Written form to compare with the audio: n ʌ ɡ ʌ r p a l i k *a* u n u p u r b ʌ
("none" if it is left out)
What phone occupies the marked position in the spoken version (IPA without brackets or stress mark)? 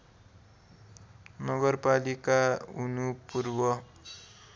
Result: a